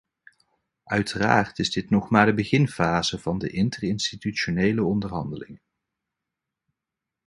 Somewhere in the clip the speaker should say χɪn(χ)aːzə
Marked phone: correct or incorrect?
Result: incorrect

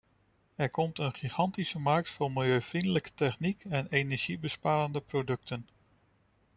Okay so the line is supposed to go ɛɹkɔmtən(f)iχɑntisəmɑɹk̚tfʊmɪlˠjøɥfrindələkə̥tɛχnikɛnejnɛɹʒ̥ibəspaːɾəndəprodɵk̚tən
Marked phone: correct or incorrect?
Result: incorrect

